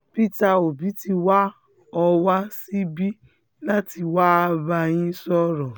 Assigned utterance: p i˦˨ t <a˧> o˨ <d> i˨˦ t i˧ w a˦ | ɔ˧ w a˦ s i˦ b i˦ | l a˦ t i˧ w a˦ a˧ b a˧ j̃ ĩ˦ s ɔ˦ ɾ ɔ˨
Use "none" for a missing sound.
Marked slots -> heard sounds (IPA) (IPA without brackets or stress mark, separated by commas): a˧, b